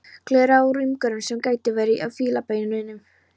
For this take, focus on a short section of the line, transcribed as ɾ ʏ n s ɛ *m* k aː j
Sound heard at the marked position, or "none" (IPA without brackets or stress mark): m